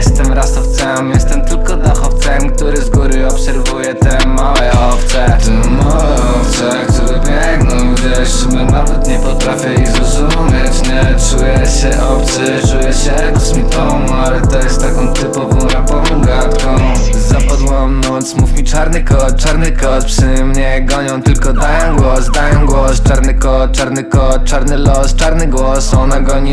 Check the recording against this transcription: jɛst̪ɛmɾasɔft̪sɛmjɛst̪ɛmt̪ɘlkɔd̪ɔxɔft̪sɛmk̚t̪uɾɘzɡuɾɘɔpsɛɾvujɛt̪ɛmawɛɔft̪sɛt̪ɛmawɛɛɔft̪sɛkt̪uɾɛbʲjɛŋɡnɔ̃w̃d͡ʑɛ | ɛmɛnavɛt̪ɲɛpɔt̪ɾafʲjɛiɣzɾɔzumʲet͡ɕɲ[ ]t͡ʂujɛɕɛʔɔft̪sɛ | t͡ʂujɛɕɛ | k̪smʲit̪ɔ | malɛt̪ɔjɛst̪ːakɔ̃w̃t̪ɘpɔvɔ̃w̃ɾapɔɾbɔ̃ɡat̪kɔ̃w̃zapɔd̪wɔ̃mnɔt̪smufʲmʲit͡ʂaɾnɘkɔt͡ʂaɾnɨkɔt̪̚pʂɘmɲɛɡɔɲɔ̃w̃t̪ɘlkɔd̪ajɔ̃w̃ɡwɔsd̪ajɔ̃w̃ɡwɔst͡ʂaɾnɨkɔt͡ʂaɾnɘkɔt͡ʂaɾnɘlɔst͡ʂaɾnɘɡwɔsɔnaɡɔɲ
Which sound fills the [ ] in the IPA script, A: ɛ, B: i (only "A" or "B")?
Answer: A